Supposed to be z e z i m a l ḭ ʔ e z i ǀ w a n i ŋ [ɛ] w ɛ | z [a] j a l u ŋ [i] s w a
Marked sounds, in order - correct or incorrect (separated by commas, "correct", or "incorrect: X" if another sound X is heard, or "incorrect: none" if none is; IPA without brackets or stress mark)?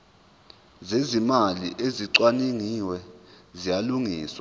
incorrect: i, incorrect: i, incorrect: iː